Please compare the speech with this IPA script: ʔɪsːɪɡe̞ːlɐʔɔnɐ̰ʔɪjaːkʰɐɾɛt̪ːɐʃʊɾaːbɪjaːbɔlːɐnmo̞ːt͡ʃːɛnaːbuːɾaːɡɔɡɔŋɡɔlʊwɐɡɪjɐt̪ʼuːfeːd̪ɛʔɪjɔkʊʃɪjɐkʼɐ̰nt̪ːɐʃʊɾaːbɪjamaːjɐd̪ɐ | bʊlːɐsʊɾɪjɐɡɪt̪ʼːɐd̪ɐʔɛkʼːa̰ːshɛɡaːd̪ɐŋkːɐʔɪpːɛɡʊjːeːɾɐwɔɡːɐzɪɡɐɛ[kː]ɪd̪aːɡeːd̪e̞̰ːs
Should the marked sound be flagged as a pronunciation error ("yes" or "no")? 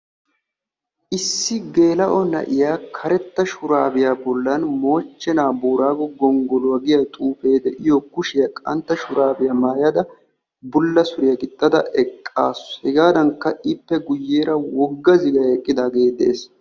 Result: yes